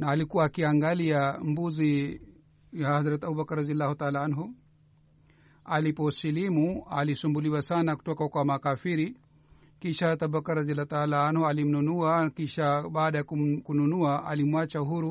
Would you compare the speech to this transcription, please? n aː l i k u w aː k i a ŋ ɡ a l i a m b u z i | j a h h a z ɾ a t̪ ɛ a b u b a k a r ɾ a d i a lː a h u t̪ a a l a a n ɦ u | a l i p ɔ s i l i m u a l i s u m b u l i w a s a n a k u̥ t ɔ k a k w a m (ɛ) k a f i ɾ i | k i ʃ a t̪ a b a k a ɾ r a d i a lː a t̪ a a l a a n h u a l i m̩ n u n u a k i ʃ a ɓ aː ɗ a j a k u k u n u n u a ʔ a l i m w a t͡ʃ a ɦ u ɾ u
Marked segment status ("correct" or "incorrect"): incorrect